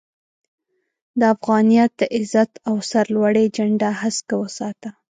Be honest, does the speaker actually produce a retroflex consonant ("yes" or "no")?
yes